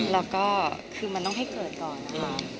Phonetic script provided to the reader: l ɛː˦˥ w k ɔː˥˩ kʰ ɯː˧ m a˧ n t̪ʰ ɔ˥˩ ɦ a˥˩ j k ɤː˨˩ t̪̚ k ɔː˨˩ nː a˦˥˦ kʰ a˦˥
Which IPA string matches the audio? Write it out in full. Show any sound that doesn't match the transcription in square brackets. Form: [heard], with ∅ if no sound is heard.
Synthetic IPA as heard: l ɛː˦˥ w k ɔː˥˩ kʰ ɯː˧ m a˧ n [t̪] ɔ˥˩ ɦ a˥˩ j k ɤː˨˩ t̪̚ k ɔː˨˩ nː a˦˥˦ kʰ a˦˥

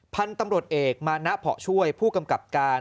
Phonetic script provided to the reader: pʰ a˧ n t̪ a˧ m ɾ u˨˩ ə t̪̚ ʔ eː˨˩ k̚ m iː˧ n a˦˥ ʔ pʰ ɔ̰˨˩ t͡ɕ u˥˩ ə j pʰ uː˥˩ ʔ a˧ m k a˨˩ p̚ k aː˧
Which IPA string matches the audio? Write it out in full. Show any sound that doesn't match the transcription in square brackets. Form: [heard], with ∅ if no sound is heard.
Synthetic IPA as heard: pʰ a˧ n t̪ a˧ m ɾ u˨˩ ə t̪̚ ʔ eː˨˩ k̚ m [aː˧] n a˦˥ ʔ pʰ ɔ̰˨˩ [t͡ɕʰ] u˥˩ ə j pʰ uː˥˩ [k] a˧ m k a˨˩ p̚ k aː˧

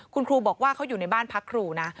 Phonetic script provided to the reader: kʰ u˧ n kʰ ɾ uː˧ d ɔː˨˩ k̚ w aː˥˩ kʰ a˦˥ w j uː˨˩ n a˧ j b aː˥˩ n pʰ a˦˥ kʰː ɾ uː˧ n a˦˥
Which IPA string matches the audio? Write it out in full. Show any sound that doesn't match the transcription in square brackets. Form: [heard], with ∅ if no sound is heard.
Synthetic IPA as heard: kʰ u˧ n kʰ ɾ uː˧ [b] ɔː˨˩ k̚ w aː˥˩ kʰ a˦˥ w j uː˨˩ n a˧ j b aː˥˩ n pʰ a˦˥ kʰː ɾ uː˧ n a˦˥

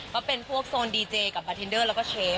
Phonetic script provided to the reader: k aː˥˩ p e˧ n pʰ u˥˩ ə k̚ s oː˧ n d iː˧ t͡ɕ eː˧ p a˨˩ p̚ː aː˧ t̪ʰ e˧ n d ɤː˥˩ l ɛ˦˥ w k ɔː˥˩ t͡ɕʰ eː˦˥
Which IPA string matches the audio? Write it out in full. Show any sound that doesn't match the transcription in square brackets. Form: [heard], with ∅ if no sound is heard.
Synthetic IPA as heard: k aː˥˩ p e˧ n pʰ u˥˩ ə k̚ s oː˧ n d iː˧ t͡ɕ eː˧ [k] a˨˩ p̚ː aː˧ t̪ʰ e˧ n d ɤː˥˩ l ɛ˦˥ w k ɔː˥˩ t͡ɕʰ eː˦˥

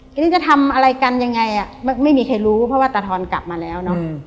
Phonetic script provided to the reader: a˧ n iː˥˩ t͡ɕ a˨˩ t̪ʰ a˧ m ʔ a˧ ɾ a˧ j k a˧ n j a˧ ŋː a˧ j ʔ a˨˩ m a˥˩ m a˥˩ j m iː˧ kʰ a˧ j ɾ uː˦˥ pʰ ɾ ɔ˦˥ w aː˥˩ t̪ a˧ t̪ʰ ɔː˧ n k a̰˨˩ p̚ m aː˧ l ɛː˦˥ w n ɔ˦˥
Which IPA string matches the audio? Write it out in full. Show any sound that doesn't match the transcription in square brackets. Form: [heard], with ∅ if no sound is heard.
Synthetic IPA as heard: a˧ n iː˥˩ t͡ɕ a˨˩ t̪ʰ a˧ m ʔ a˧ ɾ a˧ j k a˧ n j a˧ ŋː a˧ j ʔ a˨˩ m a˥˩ m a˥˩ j m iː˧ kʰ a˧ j ɾ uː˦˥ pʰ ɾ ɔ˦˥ w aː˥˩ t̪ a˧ t̪ʰ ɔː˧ n k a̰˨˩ p̚ m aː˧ l ɛː˦˥ w n ɔ˦˥

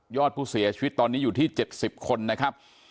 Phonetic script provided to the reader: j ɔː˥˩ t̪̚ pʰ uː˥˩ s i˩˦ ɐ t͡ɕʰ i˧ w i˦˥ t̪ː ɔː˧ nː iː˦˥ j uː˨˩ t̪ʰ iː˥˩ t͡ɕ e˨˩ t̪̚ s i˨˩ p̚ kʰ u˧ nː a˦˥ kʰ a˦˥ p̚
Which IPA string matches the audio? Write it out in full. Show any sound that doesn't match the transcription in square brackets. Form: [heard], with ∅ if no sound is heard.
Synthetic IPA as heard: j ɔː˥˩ t̪̚ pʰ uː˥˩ s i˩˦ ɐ t͡ɕʰ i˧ w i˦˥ t̪ː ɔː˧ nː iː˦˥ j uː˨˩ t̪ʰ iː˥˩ t͡ɕ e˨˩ t̪̚ s i˨˩ p̚ kʰ [o˧] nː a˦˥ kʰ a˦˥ p̚

